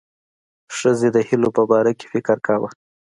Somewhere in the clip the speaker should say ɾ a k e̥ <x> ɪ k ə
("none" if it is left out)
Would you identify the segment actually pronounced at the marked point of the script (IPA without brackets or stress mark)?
f